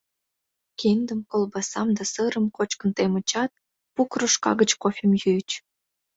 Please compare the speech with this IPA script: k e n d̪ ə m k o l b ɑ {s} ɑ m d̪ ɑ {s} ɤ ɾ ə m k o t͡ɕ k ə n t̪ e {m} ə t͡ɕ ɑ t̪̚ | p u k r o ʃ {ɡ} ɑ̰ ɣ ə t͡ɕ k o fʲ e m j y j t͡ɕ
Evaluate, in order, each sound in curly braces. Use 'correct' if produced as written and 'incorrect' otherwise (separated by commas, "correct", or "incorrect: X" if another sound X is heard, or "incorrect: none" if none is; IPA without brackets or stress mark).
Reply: correct, correct, correct, incorrect: k